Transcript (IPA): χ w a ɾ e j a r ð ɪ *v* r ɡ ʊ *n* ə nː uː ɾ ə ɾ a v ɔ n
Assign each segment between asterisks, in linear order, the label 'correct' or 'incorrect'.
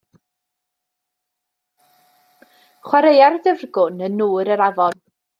correct, correct

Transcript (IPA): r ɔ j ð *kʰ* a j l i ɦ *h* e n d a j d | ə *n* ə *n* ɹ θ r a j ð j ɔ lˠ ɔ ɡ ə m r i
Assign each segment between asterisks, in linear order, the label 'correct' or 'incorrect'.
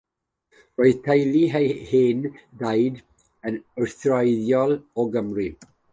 incorrect, correct, correct, incorrect

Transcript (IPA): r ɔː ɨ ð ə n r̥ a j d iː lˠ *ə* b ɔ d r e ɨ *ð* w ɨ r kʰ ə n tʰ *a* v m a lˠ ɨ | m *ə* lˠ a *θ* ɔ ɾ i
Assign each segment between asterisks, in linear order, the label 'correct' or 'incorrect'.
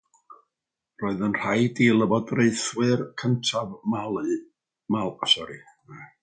correct, incorrect, correct, incorrect, incorrect

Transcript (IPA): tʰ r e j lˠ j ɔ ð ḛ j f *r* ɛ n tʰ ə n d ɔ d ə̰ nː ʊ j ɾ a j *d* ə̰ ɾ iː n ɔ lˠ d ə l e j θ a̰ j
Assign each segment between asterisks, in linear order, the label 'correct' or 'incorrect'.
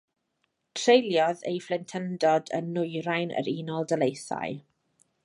incorrect, incorrect

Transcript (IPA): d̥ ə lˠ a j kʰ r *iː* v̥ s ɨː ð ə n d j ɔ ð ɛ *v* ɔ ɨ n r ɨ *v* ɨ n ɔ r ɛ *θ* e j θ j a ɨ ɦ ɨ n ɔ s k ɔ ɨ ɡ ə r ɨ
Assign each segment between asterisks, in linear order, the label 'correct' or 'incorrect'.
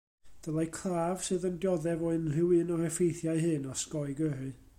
incorrect, correct, incorrect, incorrect

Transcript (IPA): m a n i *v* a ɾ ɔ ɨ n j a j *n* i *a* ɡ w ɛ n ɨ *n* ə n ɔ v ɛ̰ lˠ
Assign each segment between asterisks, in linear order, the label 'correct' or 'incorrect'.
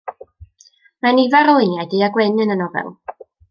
correct, incorrect, correct, correct

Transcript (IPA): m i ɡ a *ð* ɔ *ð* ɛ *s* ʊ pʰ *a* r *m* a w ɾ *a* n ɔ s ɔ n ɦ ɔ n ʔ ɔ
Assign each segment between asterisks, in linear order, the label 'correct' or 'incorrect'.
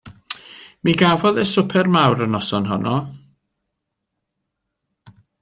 incorrect, correct, correct, incorrect, correct, incorrect

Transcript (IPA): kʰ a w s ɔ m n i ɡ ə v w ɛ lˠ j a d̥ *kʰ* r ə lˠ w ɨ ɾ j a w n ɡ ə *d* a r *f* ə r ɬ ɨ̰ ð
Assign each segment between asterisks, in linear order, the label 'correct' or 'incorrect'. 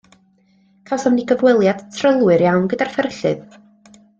incorrect, correct, correct

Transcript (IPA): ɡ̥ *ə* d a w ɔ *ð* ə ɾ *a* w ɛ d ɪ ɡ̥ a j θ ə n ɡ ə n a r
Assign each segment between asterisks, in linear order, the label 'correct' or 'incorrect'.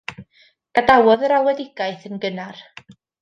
incorrect, correct, correct

